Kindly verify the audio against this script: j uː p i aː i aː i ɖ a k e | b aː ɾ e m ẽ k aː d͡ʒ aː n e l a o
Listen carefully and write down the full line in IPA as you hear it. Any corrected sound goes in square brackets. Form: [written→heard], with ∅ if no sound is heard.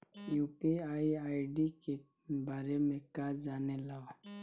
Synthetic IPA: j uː p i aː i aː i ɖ [a→i] k e | b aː ɾ e m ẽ k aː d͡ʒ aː n e l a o